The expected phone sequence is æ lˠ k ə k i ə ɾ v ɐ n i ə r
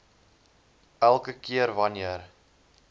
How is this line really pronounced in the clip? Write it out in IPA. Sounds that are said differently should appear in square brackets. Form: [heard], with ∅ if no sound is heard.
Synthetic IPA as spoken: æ lˠ k ə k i ə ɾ v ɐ n i ə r